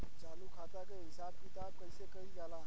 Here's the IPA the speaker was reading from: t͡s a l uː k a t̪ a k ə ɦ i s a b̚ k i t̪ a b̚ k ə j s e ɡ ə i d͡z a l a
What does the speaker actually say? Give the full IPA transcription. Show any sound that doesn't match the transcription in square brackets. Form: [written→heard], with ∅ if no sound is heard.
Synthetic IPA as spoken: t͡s a l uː [k→kʰ] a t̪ a k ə ɦ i s a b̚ k i t̪ a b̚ k ə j s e [ɡ→k] ə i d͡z a l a